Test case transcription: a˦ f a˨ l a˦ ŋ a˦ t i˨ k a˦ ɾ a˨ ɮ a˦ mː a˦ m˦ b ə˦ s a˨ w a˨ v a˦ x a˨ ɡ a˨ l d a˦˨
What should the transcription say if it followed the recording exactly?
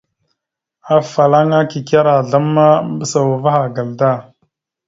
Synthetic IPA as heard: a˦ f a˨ l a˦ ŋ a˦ k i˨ k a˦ ɾ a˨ ɮ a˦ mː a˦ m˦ b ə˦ s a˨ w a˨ v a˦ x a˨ ɡ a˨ l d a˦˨